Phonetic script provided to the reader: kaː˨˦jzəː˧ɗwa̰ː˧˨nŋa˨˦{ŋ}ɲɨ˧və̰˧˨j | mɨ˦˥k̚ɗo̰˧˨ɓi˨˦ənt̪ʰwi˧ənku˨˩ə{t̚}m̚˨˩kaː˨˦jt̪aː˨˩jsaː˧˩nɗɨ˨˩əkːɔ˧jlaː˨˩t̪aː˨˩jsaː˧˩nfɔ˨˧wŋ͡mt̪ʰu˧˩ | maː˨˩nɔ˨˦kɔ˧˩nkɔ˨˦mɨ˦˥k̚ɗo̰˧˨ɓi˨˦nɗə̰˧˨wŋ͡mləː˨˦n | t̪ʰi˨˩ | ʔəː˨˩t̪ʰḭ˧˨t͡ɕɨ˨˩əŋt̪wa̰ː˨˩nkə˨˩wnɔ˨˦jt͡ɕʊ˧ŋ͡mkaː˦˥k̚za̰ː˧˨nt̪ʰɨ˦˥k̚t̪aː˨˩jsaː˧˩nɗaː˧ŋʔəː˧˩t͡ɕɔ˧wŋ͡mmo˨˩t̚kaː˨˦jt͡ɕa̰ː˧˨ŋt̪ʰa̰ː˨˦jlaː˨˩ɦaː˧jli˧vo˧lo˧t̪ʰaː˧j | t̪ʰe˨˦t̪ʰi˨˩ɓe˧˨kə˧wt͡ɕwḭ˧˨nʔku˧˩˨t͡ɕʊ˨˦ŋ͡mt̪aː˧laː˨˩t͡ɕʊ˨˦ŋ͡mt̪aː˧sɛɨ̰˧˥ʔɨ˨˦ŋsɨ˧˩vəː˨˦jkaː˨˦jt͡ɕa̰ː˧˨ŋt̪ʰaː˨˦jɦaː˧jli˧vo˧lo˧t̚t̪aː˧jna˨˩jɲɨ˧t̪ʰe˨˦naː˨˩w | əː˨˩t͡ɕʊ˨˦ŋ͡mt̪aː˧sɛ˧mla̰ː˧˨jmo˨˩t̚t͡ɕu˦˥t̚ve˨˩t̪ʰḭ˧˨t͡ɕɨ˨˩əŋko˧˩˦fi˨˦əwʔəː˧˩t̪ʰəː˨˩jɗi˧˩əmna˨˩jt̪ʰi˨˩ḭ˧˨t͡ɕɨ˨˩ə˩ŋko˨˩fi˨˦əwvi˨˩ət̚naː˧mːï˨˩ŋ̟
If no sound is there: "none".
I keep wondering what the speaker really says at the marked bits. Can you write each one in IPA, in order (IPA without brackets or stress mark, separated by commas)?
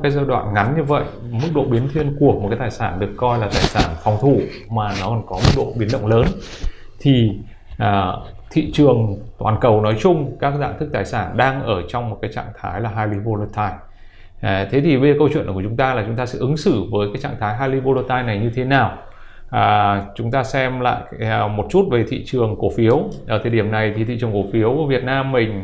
n, k̚